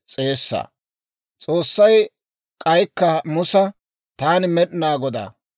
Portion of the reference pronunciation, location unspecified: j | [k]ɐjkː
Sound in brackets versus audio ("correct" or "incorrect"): incorrect